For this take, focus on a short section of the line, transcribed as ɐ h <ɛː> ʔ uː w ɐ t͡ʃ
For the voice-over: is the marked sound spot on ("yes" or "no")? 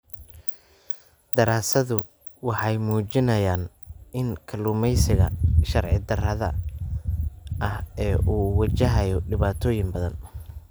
yes